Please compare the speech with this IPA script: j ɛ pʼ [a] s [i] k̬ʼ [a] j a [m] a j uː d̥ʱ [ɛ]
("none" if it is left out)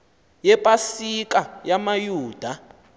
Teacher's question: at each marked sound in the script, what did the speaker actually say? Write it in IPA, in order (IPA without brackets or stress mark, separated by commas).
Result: a, i, a, m, a